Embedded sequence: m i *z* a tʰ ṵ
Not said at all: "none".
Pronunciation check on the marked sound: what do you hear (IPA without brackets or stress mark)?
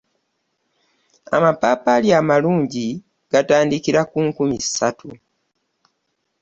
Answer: s